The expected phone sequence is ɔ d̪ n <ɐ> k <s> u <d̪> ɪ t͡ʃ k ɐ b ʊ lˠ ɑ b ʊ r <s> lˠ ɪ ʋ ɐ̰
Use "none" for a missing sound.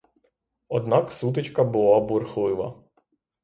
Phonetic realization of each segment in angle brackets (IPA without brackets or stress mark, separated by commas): ɑ, s, t̪, x